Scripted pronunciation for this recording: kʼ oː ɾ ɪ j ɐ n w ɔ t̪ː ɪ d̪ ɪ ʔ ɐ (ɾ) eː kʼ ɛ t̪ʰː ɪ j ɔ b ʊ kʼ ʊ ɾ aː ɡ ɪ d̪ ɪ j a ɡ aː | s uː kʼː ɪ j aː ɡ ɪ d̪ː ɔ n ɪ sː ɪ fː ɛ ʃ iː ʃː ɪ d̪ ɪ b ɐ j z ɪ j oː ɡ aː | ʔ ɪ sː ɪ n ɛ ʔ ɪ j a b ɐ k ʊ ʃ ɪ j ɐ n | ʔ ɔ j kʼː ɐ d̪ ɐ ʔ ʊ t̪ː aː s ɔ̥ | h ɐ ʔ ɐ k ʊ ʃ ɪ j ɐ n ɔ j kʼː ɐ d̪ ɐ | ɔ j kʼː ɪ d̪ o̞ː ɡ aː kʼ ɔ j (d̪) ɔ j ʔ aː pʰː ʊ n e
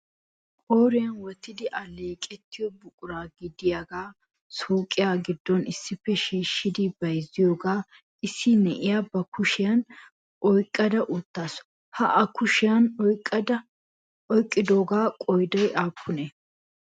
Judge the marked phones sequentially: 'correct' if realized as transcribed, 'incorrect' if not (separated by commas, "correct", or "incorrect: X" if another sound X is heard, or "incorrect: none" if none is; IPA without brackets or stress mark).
incorrect: l, correct